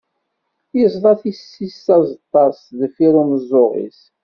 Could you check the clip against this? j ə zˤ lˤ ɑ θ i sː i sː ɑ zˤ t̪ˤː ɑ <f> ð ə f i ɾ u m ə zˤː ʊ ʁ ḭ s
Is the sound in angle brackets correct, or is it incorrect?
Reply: incorrect